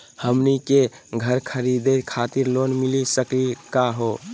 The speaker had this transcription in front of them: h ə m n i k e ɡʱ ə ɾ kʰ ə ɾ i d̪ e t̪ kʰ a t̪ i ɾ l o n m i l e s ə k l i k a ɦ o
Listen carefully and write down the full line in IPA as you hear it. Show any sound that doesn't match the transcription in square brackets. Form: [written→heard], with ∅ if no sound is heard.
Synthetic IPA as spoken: h ə m n i k e ɡʱ ə ɾ kʰ ə ɾ i d̪ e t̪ kʰ a t̪ i ɾ l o n m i l [e→i] s ə k l i k a ɦ o

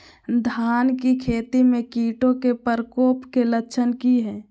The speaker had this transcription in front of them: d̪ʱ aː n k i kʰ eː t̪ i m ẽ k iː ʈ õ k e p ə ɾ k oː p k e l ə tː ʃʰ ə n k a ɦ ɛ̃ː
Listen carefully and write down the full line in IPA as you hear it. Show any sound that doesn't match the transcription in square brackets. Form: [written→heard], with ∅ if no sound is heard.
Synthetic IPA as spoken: d̪ʱ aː n k i kʰ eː t̪ i m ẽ k iː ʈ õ k e p ə ɾ k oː p k e l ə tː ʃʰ ə n k [a→i] ɦ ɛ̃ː

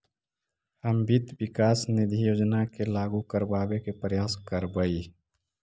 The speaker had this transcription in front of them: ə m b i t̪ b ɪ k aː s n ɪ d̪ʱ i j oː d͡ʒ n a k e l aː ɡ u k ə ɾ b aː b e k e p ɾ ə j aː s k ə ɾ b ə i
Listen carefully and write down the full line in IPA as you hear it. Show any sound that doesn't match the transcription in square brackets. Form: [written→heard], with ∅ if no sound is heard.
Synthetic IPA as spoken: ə m b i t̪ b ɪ k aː s n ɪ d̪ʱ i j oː d͡ʒ n a k e l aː ɡ u k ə ɾ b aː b e k e p ɾ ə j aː s k ə ɾ b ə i

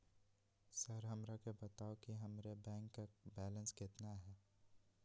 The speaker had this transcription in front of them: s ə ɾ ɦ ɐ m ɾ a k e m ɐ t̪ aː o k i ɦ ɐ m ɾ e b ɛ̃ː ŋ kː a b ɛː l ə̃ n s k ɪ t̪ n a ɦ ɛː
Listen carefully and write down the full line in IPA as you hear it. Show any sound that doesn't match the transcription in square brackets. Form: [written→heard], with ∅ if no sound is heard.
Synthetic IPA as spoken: s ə ɾ ɦ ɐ m ɾ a k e [m→b] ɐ t̪ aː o k i ɦ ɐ m ɾ e b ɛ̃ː ŋ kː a b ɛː l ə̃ n s k ɪ t̪ n a ɦ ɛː

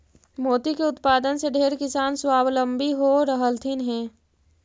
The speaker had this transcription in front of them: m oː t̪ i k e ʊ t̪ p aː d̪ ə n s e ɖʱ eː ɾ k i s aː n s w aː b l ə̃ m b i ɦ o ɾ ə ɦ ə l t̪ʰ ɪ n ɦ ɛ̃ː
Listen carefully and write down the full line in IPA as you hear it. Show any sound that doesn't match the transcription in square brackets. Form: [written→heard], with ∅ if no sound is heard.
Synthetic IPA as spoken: m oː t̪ i k e ʊ t̪ p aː d̪ ə n s e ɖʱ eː ɾ k [i→ɪ] s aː n s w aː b l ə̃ m b i ɦ o ɾ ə ɦ ə l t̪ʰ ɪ n ɦ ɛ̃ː

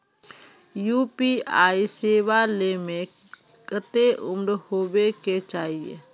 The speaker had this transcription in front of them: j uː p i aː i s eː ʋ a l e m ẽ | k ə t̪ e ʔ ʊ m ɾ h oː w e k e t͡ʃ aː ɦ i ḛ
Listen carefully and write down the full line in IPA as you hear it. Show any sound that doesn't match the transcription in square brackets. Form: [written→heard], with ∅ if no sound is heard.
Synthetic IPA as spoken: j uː p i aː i s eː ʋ a l e m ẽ | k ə t̪ e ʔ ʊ m ɾ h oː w e k e t͡ʃ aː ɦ i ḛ

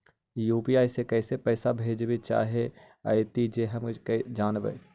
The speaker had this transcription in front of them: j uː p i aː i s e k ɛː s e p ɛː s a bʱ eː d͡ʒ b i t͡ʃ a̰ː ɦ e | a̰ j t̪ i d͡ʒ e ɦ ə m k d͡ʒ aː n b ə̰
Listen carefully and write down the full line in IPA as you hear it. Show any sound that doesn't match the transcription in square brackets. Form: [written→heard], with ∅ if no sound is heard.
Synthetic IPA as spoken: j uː p i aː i s e k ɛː s e p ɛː s a bʱ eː d͡ʒ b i t͡ʃ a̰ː ɦ e | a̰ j t̪ i d͡ʒ e ɦ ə m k d͡ʒ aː n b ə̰

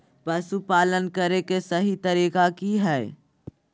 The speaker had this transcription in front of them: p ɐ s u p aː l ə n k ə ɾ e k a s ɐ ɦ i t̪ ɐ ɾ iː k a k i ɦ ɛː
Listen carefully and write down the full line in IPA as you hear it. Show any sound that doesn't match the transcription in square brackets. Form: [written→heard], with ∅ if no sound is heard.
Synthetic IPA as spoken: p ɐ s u p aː l ə n k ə ɾ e k [a→e] s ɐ ɦ i t̪ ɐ ɾ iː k a k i ɦ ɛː

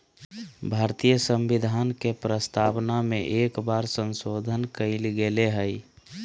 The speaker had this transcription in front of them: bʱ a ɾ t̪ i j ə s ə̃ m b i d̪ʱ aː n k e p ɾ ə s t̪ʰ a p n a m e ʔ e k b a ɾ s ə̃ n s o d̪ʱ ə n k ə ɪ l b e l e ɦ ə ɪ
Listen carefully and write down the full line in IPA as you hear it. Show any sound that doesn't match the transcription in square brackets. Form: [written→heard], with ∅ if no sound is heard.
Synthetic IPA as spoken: bʱ a ɾ t̪ i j ə s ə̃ m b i d̪ʱ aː n k e p ɾ ə s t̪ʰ a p n a m e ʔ e k b a ɾ s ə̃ n s o d̪ʱ ə n k ə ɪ l [b→ɡ] e l e ɦ ə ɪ

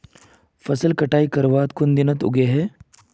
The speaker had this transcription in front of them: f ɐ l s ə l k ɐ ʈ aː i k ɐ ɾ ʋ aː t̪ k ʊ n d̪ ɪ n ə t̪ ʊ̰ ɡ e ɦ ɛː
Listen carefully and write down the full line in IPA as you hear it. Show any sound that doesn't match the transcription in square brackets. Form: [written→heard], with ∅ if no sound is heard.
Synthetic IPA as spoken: f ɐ [l→∅] s ə l k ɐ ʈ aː i k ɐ ɾ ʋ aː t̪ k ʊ n d̪ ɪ n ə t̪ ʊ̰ ɡ e ɦ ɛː

